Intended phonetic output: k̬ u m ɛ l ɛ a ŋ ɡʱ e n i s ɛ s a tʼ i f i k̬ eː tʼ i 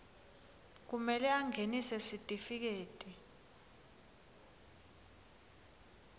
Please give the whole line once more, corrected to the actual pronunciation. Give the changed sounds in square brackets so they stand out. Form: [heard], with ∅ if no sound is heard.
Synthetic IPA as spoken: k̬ u m ɛ l ɛ a ŋ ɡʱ e n i s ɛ s [i] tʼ i f i k̬ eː tʼ i